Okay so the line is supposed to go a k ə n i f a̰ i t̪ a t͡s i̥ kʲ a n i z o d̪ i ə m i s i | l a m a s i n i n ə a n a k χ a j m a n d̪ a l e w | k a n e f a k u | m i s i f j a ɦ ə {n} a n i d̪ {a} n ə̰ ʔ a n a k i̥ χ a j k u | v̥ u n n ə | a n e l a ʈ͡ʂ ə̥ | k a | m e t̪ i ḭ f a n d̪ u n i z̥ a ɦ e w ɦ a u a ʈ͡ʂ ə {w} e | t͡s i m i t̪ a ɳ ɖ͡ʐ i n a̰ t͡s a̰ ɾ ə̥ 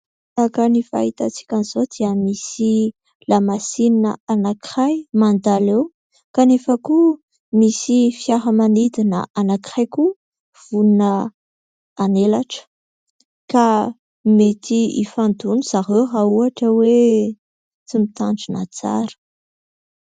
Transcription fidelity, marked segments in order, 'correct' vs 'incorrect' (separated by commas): incorrect, incorrect, correct